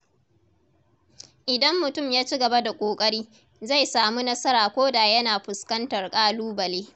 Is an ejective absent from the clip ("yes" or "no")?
no